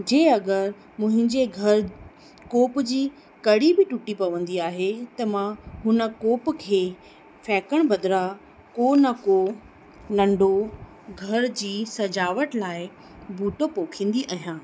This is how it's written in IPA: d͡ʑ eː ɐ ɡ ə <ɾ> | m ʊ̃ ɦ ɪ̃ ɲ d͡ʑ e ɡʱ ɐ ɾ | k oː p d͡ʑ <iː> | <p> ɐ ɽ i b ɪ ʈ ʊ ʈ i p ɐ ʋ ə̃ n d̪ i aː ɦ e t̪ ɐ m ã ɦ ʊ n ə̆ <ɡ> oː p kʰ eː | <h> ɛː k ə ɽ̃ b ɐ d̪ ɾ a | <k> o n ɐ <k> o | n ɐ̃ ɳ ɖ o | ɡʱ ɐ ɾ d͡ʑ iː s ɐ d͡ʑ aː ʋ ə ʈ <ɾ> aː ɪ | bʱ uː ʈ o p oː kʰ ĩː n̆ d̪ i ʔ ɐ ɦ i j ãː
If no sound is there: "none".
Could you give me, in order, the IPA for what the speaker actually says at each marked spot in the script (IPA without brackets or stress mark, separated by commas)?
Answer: ɾ, iː, k, k, f, k, k, l